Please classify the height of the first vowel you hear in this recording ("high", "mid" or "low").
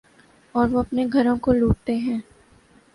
mid